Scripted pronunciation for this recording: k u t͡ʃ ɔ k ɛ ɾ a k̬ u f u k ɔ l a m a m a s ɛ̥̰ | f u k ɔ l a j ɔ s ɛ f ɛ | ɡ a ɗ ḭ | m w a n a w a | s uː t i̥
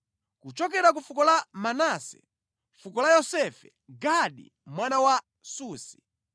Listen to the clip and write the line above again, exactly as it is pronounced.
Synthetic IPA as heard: k u t͡ʃ ɔ k ɛ ɾ a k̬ u f u k ɔ l a m a n a s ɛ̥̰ | f u k ɔ l a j ɔ s ɛ f ɛ | ɡ a ɗ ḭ | m w a n a w a | s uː s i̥